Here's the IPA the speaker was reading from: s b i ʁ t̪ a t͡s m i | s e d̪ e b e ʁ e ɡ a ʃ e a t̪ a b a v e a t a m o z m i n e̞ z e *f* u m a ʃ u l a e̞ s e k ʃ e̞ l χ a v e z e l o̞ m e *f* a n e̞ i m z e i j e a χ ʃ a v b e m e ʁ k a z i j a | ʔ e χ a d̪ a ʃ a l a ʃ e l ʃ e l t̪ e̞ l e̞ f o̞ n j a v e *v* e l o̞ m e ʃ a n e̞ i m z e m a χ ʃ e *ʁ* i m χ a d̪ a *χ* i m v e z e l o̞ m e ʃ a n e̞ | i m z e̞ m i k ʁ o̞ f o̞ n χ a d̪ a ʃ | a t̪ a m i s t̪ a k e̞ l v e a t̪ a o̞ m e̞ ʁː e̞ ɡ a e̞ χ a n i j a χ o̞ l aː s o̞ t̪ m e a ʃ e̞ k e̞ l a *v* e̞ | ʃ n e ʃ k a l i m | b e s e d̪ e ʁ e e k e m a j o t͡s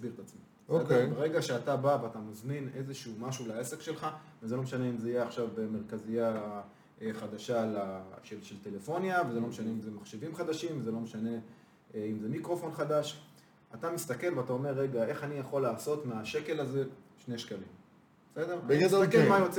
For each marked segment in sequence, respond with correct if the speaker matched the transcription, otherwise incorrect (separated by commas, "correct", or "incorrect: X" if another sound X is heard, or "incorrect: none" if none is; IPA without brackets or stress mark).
incorrect: ʃ, incorrect: ʃ, incorrect: z, incorrect: v, incorrect: ʃ, incorrect: z